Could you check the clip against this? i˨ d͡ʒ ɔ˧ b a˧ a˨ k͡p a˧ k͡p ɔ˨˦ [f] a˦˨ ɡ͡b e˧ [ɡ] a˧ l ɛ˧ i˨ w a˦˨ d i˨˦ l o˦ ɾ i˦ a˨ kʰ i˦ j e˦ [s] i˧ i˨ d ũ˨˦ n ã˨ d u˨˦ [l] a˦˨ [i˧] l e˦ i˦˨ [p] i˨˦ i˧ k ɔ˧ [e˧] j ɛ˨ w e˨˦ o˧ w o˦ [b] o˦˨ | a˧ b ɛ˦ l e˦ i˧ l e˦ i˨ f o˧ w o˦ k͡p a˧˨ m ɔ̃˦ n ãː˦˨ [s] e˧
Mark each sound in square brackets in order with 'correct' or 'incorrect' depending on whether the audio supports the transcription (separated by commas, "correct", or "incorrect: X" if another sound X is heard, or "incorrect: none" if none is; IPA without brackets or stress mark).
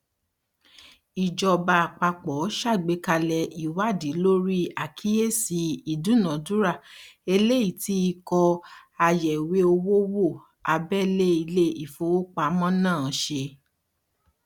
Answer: incorrect: ʃ, incorrect: k, correct, incorrect: ɾ, incorrect: e˧, incorrect: t, incorrect: a˧, incorrect: w, incorrect: ʃ